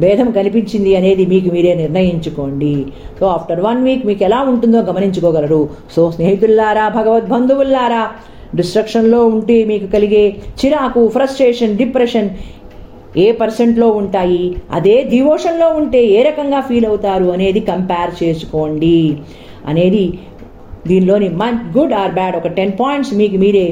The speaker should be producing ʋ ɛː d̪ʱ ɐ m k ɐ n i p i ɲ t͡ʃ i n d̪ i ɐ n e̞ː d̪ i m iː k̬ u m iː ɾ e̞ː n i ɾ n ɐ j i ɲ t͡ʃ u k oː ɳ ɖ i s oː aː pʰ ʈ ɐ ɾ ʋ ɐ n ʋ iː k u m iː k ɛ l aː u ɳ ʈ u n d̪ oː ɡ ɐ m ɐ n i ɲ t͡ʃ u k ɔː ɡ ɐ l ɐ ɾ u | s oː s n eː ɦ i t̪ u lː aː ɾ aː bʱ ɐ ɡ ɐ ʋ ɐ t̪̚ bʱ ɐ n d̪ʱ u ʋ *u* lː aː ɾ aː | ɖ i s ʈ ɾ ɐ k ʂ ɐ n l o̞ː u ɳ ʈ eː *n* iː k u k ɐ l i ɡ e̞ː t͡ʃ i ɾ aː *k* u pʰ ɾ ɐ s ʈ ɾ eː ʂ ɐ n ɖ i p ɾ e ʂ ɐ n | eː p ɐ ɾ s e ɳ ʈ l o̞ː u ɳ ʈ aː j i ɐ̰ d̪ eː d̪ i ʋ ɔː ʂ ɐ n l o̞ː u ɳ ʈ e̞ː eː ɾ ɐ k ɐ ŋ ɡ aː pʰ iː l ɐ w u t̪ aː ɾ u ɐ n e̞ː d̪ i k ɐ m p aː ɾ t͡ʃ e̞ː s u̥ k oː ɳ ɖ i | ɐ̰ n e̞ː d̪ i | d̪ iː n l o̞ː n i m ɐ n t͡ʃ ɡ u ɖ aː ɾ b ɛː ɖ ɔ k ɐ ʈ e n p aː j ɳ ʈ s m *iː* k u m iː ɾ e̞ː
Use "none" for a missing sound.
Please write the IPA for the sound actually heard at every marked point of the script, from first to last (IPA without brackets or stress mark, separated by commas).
u, m, k, iː